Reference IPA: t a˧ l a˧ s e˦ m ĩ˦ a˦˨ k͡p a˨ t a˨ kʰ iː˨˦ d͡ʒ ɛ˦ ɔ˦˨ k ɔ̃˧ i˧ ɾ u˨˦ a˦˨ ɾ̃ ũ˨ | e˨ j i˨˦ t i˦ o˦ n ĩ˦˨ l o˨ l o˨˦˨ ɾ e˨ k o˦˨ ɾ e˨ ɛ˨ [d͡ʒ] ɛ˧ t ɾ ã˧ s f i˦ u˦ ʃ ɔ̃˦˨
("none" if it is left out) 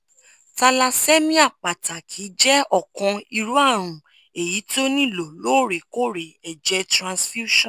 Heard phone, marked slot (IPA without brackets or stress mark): d͡ʒ